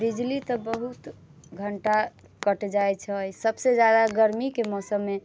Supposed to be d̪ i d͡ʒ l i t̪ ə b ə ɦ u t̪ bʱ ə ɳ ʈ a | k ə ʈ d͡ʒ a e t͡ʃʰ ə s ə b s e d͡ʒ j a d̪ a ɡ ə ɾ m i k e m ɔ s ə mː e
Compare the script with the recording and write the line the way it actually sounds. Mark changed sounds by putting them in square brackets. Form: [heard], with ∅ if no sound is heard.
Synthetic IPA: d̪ i d͡ʒ l i t̪ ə b ə ɦ u t̪ [ɡʱ] ə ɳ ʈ a | k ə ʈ d͡ʒ a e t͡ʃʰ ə s ə b s e d͡ʒ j a d̪ a ɡ ə ɾ m i k e m ɔ s ə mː e